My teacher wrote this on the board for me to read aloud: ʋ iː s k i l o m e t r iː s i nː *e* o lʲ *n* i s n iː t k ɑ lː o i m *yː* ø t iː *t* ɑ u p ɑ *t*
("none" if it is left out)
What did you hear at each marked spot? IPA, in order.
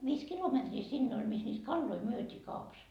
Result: e, m, y, k, s

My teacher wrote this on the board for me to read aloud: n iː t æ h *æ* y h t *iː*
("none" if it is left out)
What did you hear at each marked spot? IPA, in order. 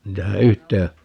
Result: æ, eː

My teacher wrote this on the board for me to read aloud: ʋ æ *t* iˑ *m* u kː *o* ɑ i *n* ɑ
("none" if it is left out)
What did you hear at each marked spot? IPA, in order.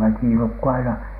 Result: k, n, u, n

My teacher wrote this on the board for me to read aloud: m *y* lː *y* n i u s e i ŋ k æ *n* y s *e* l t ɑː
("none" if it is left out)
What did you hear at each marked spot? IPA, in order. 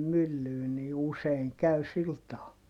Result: y, yː, none, i

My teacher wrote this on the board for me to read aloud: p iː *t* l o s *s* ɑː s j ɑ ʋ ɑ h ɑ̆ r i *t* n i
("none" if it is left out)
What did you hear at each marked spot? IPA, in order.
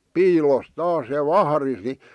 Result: none, t, s

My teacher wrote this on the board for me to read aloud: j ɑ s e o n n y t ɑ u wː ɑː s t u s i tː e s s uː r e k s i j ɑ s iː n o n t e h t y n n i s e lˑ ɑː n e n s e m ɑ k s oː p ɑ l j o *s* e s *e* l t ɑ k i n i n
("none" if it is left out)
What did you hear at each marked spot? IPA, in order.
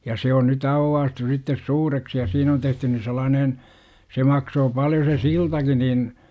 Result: s, i

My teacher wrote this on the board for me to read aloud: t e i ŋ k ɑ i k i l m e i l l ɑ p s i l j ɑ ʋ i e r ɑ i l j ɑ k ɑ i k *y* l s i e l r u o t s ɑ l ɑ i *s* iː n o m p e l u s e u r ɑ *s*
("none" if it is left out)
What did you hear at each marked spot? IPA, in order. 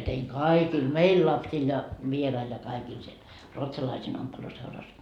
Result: i, s, s

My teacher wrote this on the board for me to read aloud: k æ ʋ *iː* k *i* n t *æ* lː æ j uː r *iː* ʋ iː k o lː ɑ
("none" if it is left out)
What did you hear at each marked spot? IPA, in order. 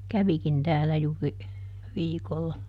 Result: i, i, æː, i

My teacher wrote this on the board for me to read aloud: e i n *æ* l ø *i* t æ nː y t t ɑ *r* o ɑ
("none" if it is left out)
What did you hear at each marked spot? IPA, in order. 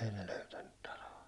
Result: e, y, l

